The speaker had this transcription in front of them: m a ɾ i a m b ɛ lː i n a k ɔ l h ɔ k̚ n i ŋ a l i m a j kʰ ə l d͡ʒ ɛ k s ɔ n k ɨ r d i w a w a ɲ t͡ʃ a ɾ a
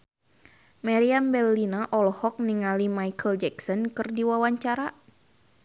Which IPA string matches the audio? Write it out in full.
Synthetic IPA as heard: m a ɾ i a m b ɛ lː i n a ʔ ɔ l h ɔ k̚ n i ŋ a l i m a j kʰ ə l d͡ʒ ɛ k s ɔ n k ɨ r d i w a w a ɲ t͡ʃ a ɾ a